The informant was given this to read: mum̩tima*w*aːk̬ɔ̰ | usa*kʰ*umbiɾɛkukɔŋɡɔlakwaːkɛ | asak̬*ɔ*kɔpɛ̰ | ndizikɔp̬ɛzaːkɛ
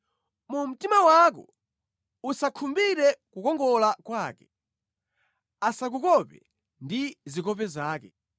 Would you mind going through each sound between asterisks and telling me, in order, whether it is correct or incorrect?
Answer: correct, correct, incorrect

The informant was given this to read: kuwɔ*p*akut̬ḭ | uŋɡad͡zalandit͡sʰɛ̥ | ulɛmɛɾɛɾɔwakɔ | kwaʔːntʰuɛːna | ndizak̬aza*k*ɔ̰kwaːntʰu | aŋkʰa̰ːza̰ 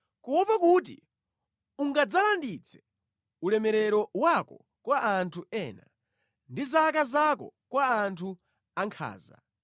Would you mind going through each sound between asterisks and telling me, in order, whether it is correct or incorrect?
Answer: correct, correct

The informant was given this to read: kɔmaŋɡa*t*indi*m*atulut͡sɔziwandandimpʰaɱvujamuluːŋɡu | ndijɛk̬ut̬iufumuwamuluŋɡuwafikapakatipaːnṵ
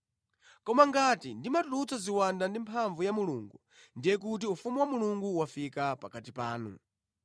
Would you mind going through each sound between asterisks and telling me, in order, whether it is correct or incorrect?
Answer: correct, correct

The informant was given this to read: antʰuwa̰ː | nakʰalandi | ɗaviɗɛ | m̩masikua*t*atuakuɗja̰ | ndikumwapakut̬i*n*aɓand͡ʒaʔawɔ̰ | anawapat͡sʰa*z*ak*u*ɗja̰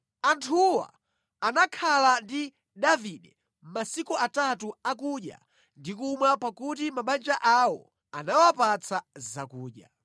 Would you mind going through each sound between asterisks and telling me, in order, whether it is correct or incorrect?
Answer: correct, incorrect, correct, incorrect

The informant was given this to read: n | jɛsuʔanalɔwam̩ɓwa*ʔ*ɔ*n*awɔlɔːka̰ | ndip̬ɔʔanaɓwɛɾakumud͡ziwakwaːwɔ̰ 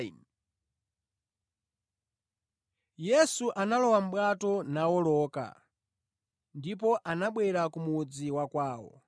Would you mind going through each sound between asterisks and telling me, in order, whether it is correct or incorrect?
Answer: incorrect, correct

